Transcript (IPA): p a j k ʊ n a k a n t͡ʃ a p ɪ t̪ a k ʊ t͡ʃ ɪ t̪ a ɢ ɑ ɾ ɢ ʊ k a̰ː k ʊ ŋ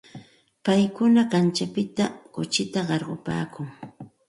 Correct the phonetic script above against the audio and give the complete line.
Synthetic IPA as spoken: p a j k ʊ n a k a n t͡ʃ a p ɪ t̪ a k ʊ t͡ʃ ɪ t̪ a ɢ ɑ ɾ ɢ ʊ p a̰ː k ʊ ŋ

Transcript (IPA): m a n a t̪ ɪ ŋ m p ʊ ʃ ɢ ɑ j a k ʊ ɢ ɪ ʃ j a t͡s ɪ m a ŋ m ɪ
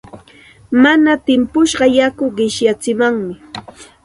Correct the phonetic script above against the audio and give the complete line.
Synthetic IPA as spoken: m a n a t̪ ɪ m p ʊ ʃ ɢ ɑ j a k ʊ ɢ ɪ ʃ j a t͡s ɪ m a ŋ m ɪ

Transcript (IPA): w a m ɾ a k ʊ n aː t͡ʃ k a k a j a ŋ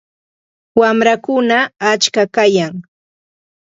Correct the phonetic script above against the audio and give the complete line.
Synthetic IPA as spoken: w a m ɾ a k ʊ n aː t͡ʃ k a k a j a ŋ

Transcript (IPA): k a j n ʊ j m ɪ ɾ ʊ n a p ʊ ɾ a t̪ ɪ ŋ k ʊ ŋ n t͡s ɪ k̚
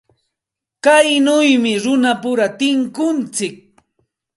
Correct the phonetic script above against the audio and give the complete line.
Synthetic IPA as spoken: k a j n ʊ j m ɪ ɾ ʊ n a p ʊ ɾ a t̪ ɪ ŋ k ʊ n t͡s ɪ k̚

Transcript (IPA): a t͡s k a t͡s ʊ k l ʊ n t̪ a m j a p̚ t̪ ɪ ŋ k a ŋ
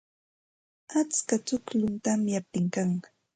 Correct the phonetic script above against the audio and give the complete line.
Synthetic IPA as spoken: a t͡s k a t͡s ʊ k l ʊ n t̪ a m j a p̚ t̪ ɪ ŋ k a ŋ

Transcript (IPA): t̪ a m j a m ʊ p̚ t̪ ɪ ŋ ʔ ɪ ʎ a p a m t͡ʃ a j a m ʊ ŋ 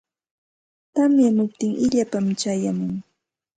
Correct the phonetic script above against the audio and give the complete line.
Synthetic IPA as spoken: t̪ a m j a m ʊ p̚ t̪ ɪ ŋ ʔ ɪ ʎ a p a m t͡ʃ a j a m ʊ ŋ

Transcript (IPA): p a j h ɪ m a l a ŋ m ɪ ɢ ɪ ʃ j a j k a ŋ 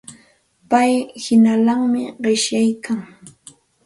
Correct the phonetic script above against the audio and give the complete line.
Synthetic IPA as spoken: p a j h ɪ n a l a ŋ m ɪ ɢ ɪ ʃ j a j k a ŋ

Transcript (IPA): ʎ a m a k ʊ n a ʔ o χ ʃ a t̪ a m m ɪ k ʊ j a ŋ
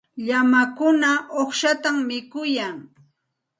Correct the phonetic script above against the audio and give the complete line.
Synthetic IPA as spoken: ʎ a m a k ʊ n a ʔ o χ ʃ a t̪ a m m ɪ k ʊ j a ŋ

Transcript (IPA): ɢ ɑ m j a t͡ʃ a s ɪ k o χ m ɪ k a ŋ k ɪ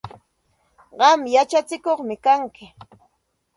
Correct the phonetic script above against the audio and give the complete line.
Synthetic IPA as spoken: ɢ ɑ m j a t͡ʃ a t͡s ɪ k o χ m ɪ k a ŋ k ɪ

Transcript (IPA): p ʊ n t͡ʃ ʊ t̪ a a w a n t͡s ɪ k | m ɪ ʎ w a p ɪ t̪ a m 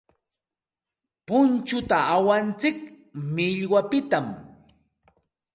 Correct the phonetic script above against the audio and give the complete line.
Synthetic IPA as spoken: p ʊ n t͡ʃ ʊ t̪ a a w a n t͡s ɪ k | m ɪ ʎ w a p ɪ t̪ a m

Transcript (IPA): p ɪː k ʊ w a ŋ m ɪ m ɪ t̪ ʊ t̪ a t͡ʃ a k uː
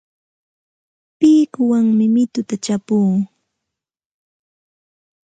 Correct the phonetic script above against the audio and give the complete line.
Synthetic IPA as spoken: p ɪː k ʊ w a ŋ m ɪ m ɪ t̪ ʊ t̪ a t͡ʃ a p uː

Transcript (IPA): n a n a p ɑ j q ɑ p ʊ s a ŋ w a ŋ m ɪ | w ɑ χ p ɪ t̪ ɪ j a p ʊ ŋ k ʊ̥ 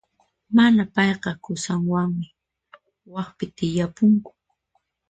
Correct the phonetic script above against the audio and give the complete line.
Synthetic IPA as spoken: m a n a p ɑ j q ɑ k ʊ s a ŋ w a ŋ m ɪ | w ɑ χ p ɪ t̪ ɪ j a p ʊ ŋ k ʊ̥

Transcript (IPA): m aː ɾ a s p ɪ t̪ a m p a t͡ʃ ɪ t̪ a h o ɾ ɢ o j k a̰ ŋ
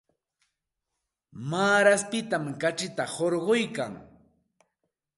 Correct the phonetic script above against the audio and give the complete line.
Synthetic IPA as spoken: m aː ɾ a s p ɪ t̪ a m k a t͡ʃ ɪ t̪ a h o ɾ ɢ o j k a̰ ŋ

